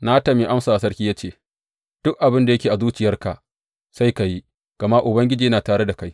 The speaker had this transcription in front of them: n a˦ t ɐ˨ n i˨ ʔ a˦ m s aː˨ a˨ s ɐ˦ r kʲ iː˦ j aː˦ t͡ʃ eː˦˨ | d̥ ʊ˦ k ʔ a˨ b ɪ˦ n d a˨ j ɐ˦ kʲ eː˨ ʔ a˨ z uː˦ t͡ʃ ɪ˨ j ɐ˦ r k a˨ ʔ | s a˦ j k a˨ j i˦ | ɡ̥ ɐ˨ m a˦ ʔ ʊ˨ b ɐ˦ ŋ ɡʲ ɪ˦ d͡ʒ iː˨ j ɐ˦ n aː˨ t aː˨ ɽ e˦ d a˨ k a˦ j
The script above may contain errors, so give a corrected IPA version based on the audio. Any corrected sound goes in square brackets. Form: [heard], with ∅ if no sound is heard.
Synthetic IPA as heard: n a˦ t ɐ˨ [m] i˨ ʔ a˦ m s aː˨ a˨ s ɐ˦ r kʲ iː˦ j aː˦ t͡ʃ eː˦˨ | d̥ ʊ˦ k ʔ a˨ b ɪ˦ n d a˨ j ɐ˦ kʲ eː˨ ʔ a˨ z uː˦ t͡ʃ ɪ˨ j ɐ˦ r k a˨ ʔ | s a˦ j k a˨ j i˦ | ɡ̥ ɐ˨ m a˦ ʔ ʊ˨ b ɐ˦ ŋ ɡʲ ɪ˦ d͡ʒ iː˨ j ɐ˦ n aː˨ t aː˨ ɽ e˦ d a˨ k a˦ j